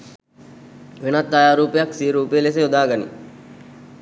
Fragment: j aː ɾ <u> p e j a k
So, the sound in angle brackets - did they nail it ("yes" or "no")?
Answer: no